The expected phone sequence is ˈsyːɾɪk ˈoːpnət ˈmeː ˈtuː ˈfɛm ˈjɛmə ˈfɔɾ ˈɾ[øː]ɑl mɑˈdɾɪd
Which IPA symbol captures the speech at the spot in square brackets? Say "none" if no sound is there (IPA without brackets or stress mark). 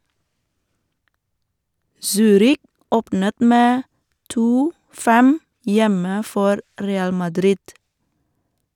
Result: eː